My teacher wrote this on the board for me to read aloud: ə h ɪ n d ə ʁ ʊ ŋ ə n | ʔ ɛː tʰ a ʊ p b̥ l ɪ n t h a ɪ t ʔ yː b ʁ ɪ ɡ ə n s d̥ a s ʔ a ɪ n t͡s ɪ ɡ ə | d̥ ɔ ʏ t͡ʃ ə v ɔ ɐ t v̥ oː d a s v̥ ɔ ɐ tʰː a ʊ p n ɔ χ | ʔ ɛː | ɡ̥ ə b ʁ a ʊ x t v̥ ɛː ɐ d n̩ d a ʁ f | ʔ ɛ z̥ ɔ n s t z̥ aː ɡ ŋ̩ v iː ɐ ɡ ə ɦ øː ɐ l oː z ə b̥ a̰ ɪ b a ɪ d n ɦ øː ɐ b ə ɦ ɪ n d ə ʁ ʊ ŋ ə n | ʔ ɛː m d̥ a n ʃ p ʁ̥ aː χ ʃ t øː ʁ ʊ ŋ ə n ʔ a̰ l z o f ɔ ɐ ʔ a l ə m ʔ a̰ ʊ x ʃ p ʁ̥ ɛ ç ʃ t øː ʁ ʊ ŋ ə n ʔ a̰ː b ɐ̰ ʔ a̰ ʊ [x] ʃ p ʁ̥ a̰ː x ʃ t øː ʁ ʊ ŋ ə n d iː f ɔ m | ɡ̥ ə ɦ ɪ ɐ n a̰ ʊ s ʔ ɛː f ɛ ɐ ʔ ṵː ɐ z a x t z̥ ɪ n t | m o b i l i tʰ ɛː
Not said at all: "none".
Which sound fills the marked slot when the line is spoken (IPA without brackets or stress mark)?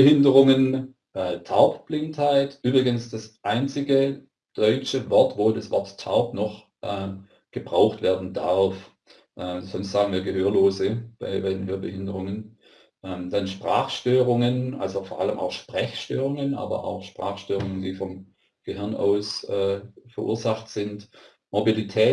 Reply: x